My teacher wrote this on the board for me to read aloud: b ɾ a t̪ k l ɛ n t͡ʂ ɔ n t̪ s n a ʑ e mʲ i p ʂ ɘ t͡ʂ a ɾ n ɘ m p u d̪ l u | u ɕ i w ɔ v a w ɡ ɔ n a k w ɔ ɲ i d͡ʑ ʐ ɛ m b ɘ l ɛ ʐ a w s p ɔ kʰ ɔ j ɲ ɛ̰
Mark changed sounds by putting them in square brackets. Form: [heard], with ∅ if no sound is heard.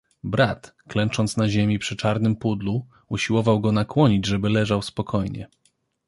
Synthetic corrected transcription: b ɾ a t̪ k l ɛ n t͡ʂ ɔ n t̪ s n a ʑ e mʲ i p ʂ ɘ t͡ʂ a ɾ n ɘ m p u d̪ l u | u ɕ i w ɔ v a w ɡ ɔ n a k w ɔ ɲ i d͡ʑ ʐ ɛ [∅] b ɘ l ɛ ʐ a w s p ɔ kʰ ɔ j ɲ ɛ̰